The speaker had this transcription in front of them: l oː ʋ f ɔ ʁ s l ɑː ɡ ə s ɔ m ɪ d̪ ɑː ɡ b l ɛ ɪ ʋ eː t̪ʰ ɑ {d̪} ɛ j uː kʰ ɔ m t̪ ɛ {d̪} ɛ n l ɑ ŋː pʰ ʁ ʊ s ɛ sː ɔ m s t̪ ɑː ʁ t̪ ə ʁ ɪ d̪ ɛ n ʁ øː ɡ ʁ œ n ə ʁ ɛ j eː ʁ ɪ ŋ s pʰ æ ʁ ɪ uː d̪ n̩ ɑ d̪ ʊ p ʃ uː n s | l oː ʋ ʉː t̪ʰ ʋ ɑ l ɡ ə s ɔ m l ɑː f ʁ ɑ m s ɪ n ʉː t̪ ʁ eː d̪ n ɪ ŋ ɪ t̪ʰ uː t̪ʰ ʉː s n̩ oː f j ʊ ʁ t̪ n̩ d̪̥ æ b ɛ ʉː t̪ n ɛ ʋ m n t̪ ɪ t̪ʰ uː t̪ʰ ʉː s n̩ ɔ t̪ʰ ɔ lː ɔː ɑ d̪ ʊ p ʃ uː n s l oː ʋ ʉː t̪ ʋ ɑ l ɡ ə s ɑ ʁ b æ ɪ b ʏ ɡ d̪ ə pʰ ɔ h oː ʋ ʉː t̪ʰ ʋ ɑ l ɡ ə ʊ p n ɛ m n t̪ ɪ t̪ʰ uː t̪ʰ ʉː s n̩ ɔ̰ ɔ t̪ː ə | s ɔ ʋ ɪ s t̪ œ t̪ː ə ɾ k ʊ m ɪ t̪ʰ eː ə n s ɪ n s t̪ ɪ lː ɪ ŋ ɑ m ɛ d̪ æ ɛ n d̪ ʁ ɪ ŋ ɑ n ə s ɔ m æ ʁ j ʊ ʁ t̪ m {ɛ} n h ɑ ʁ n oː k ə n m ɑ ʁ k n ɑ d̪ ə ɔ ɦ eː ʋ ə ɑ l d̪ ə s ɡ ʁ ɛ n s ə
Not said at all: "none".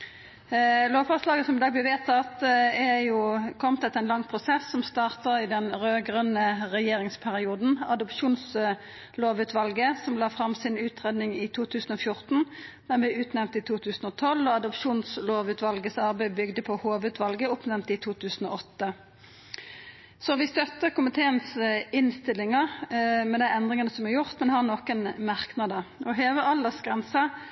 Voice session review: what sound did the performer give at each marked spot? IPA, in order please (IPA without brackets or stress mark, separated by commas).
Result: t̪, t̪, ɛ